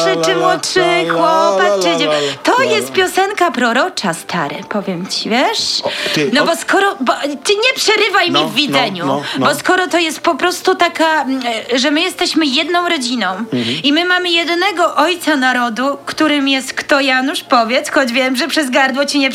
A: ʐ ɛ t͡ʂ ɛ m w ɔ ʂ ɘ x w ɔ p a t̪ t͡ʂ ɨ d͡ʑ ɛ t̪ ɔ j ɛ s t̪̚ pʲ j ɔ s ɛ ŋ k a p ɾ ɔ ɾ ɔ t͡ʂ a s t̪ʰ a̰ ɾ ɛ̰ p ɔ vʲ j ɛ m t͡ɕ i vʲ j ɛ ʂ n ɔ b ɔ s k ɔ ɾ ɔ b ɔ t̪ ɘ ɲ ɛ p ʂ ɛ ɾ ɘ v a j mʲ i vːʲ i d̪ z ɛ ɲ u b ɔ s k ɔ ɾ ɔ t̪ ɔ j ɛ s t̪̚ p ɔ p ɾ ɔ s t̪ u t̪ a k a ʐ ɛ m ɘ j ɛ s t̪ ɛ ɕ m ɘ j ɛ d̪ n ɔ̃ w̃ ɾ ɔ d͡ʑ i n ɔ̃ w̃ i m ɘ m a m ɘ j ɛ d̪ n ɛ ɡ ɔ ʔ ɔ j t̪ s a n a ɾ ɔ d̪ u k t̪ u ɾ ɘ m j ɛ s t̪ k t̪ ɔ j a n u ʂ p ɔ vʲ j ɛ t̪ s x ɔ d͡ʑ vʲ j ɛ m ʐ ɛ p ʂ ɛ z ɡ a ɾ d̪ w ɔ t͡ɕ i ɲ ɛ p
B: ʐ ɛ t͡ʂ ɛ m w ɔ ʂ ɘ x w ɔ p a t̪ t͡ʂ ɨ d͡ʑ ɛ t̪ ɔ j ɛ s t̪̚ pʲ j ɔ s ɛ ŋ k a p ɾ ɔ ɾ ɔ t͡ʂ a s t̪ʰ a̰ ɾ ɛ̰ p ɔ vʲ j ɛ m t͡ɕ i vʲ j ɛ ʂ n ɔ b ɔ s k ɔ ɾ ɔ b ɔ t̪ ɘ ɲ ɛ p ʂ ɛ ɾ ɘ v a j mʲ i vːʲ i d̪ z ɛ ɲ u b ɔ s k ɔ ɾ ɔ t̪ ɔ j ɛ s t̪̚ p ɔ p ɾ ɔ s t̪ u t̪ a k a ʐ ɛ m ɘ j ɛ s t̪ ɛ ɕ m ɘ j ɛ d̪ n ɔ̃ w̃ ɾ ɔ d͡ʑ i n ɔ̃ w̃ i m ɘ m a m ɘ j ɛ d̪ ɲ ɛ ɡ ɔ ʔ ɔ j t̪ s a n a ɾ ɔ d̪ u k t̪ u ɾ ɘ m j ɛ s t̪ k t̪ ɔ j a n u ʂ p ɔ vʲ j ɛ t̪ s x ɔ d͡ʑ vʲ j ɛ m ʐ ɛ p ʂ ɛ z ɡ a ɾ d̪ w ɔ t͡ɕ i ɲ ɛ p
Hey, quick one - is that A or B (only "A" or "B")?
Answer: A